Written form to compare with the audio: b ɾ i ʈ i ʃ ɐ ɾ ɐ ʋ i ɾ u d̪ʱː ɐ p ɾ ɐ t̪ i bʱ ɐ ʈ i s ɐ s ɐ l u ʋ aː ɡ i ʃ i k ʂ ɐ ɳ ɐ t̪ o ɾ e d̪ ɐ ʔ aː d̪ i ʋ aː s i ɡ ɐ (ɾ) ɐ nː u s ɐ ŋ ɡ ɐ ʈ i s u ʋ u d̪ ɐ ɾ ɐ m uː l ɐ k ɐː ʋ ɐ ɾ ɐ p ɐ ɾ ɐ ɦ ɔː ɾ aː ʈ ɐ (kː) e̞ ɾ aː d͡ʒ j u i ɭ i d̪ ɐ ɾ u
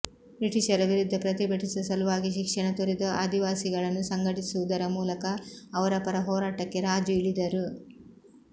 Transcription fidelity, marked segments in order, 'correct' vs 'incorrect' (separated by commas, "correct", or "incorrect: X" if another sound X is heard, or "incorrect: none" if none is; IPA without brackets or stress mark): incorrect: ɭ, correct